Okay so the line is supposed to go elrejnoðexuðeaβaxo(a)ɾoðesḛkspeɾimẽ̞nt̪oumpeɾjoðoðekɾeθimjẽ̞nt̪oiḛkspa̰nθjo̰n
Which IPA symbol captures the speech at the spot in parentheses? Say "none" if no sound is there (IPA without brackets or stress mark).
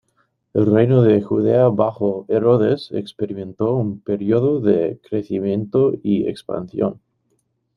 e